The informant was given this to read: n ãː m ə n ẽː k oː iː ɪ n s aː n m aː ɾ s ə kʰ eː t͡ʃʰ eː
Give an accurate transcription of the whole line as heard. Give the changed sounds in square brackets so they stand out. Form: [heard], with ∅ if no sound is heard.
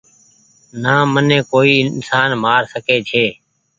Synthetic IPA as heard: n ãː m ə n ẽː k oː iː ɪ n s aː n m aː ɾ s ə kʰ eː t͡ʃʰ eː

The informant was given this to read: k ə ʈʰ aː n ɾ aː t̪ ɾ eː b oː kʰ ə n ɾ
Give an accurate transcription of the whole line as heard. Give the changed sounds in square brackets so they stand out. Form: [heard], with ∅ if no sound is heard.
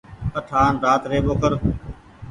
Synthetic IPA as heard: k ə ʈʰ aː n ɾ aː t̪ ɾ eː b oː [k] ə [∅] ɾ

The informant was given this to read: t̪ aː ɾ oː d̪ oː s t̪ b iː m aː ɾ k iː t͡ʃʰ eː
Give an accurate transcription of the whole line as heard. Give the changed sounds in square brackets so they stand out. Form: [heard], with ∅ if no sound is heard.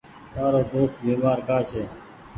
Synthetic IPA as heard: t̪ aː ɾ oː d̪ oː s t̪ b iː m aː ɾ k [aː] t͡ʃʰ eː

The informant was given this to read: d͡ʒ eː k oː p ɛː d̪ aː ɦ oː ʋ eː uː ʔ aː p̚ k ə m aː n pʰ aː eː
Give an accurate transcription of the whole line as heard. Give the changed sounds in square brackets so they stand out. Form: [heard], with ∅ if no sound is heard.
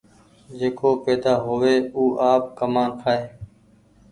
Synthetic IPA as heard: d͡ʒ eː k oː p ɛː d̪ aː ɦ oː ʋ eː uː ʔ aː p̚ k ə m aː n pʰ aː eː

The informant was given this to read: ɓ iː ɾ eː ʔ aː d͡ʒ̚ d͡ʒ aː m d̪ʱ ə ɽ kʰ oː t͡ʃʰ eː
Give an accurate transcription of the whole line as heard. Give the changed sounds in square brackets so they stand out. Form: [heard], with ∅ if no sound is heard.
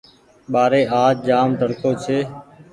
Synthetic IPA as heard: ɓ [aː] ɾ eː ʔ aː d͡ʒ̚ d͡ʒ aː m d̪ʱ ə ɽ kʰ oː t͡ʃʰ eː

